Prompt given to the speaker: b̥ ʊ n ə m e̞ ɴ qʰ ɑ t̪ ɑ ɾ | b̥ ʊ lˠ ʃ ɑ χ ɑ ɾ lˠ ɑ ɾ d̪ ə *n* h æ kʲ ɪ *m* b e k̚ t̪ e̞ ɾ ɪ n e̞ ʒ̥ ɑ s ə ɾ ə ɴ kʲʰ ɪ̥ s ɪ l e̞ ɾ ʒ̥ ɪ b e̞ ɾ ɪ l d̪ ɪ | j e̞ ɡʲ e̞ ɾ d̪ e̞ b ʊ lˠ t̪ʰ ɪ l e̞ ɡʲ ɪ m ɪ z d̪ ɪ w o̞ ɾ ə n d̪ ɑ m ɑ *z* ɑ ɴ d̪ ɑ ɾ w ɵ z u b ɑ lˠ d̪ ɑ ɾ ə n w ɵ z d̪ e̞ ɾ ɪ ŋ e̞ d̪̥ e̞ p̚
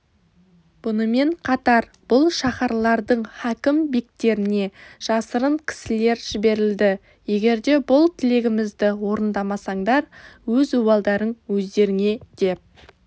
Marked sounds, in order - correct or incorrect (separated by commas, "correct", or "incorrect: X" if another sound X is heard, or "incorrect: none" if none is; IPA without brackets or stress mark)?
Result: incorrect: ɴ, correct, incorrect: s